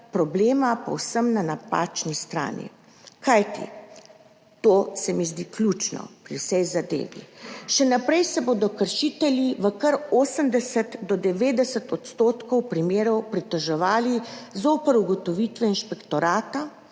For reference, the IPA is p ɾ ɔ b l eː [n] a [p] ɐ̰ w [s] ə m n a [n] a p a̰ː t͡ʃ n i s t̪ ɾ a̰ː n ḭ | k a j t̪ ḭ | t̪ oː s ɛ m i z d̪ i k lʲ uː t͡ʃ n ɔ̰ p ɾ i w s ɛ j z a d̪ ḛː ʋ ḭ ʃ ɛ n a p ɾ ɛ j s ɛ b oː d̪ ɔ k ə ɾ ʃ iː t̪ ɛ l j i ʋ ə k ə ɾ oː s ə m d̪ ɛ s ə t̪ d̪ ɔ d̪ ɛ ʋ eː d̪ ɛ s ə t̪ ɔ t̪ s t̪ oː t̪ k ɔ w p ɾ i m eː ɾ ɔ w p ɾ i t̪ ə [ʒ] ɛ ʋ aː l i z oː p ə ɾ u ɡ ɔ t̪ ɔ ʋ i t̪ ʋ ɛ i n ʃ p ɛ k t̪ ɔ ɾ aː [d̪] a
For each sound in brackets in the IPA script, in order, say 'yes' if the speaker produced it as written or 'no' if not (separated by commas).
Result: no, yes, yes, yes, yes, no